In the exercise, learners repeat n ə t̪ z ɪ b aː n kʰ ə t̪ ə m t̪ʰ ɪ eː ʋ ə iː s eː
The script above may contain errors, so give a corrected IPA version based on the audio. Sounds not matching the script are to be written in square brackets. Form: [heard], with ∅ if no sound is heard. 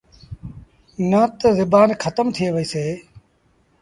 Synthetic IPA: n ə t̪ z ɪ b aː n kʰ ə t̪ ə m t̪ʰ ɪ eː ʋ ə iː s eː